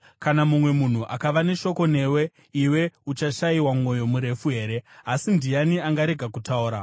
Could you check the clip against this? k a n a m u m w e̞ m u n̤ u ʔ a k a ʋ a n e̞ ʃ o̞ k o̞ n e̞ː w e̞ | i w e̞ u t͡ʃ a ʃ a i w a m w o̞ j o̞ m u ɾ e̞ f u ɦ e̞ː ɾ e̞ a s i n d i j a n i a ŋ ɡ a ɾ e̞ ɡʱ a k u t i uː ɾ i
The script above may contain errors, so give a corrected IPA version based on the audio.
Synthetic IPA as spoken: k a n a m u m w e̞ m u n̤ u ʔ a k a ʋ a n e̞ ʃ o̞ k o̞ n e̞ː w e̞ | i w e̞ u t͡ʃ a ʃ a i w a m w o̞ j o̞ m u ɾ e̞ f u ɦ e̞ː ɾ e̞ a s i n d i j a n i a ŋ ɡ a ɾ e̞ ɡʱ a k u t a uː ɾ a